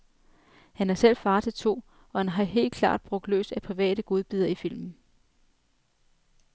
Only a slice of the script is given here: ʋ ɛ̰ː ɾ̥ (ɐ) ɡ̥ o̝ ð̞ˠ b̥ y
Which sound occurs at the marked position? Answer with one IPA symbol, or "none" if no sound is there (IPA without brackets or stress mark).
ə